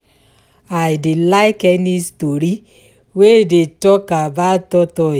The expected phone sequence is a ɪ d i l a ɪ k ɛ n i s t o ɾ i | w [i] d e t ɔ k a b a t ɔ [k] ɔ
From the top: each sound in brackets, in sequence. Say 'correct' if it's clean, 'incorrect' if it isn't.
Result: incorrect: e, incorrect: t

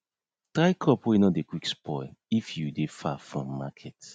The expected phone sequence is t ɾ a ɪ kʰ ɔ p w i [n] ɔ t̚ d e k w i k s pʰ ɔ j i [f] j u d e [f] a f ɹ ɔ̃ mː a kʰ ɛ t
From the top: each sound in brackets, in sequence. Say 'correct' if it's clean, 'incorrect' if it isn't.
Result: correct, correct, correct

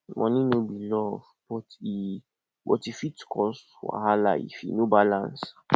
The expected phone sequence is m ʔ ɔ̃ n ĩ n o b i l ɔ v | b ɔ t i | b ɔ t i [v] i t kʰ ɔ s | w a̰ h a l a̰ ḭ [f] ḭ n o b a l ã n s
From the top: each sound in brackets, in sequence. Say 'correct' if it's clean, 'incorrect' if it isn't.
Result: incorrect: f, correct

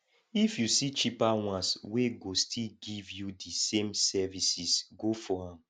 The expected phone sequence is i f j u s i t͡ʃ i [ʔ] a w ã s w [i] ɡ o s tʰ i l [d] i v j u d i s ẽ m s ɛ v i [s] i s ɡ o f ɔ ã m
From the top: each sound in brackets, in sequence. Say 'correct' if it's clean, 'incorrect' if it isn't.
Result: incorrect: p, incorrect: e, incorrect: ɡ, correct

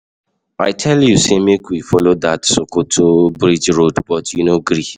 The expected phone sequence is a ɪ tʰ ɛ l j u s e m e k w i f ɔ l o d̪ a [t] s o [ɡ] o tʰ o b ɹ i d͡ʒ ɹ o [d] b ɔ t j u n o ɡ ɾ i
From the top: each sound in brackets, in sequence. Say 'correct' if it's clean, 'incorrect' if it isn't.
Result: correct, incorrect: k, correct

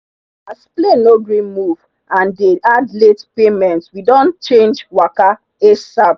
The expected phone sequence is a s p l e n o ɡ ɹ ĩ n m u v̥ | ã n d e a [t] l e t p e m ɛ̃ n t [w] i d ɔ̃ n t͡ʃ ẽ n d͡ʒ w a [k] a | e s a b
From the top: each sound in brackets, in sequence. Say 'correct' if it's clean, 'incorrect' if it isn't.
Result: incorrect: d, correct, correct

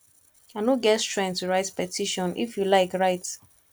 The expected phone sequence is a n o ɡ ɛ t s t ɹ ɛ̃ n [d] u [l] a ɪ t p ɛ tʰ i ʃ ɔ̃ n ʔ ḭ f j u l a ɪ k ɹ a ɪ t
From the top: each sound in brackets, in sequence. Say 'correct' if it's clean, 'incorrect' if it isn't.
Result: incorrect: t, incorrect: ɹ

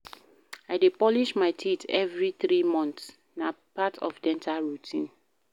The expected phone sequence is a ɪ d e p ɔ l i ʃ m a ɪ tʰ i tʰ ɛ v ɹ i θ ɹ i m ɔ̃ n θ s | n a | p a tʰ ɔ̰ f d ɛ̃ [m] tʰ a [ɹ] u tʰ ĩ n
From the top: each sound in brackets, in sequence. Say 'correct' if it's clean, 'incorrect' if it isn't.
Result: incorrect: n, correct

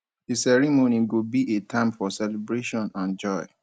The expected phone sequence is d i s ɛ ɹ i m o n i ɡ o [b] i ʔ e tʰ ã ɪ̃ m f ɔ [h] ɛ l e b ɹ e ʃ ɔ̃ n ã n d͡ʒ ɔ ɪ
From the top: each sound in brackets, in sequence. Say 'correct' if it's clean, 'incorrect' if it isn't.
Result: correct, incorrect: s

